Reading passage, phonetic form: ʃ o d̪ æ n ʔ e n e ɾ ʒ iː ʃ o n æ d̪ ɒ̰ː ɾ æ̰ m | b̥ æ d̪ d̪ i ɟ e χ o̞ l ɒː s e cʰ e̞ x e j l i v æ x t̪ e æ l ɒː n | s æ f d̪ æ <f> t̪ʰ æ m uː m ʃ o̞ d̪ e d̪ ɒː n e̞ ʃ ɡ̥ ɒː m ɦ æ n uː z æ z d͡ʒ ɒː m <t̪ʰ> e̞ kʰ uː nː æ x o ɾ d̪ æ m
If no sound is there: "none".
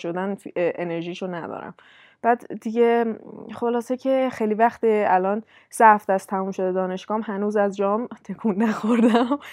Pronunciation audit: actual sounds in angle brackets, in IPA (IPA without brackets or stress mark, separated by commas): s, t̪ʰ